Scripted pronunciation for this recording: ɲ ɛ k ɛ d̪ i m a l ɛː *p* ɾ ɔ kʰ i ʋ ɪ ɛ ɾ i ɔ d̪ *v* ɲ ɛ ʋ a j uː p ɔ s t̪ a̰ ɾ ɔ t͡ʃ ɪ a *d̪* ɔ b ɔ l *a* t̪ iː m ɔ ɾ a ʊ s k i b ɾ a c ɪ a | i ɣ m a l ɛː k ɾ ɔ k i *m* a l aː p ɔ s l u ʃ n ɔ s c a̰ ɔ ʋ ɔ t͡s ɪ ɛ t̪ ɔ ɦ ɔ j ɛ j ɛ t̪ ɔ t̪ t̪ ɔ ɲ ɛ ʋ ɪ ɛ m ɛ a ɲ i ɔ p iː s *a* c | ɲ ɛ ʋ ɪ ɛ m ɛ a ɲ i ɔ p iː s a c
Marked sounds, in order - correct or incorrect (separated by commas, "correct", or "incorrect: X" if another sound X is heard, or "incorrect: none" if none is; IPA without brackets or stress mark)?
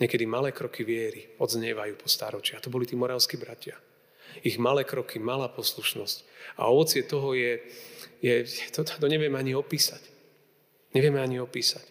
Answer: incorrect: k, incorrect: z, incorrect: t̪, incorrect: i, correct, correct